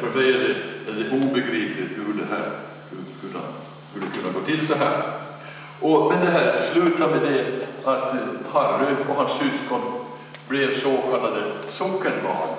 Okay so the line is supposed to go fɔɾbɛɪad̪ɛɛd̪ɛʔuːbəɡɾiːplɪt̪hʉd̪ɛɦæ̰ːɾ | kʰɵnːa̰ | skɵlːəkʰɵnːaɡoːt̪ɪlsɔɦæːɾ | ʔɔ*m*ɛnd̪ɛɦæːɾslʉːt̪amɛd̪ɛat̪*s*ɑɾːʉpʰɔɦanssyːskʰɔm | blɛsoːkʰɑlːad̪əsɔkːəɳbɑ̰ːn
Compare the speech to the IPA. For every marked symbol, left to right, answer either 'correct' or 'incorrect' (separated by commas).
correct, incorrect